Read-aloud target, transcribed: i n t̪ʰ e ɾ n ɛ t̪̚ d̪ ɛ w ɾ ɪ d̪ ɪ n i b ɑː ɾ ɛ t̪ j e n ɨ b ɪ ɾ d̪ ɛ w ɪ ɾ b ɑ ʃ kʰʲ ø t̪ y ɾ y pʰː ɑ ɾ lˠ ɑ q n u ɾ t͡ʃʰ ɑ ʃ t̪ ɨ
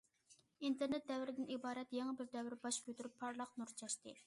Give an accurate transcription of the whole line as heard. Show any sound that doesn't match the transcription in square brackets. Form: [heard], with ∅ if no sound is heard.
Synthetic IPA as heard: i n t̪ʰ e ɾ n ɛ t̪̚ d̪ ɛ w ɾ ɪ d̪ ɪ n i b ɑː ɾ ɛ t̪ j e [ŋ] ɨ b ɪ ɾ d̪ ɛ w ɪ ɾ b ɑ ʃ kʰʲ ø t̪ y ɾ y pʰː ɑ ɾ lˠ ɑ q n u ɾ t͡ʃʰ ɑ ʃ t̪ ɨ